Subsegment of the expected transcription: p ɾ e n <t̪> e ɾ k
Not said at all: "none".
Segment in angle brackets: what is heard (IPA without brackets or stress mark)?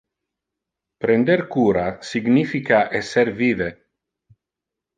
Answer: d̪